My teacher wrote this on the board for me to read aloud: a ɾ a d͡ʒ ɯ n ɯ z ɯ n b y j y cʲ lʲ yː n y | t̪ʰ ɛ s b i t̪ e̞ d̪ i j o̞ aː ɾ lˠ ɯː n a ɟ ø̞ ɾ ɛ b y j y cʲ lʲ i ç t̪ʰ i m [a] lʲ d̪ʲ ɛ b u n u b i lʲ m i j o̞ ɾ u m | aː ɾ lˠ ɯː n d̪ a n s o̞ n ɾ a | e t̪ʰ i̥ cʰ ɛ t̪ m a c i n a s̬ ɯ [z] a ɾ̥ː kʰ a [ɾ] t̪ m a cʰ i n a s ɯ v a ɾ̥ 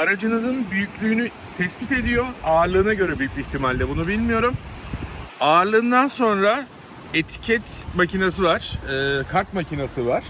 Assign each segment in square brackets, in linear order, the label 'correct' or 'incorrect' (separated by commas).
correct, incorrect, correct